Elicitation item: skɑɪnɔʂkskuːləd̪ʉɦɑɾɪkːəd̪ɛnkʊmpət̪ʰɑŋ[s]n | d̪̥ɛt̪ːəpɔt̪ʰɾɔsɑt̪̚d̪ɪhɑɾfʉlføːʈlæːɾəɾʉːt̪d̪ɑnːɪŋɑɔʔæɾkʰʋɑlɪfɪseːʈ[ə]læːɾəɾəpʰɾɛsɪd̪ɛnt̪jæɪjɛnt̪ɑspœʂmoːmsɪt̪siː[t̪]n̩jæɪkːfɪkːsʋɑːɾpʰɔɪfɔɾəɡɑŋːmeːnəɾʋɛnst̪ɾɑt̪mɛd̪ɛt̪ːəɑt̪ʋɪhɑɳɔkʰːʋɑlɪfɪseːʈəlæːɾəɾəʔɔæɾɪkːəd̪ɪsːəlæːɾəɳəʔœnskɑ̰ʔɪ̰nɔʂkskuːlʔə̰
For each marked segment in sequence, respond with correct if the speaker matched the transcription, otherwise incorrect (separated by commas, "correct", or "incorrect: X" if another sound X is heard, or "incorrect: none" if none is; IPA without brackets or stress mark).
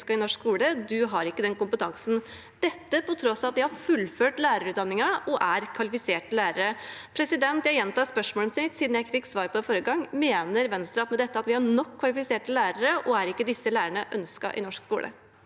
correct, correct, incorrect: d̪